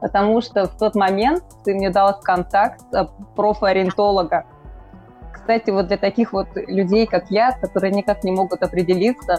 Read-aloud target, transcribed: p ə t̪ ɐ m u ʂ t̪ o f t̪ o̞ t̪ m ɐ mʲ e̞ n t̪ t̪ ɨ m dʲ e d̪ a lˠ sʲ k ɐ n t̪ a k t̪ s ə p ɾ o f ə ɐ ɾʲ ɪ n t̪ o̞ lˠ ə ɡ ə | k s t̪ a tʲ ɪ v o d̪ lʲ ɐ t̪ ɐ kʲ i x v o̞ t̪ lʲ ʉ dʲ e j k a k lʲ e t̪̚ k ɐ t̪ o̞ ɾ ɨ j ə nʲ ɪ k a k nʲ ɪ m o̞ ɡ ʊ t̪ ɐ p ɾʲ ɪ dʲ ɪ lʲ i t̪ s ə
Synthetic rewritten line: p ə t̪ ɐ m u ʂ t̪ o f t̪ o̞ t̪ m ɐ mʲ e̞ n t̪ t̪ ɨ m nʲ e d̪ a lˠ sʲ k ɐ n t̪ a k t̪ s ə p ɾ o f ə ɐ ɾʲ ɪ n t̪ o̞ lˠ ə ɡ ə | k s t̪ a tʲ ɪ v o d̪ lʲ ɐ t̪ ɐ kʲ i x v o̞ t̪ lʲ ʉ dʲ e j k a k lʲ a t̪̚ k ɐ t̪ o̞ ɾ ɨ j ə nʲ ɪ k a k nʲ ɪ m o̞ ɡ ʊ t̪ ɐ p ɾʲ ɪ dʲ ɪ lʲ i t̪ s ə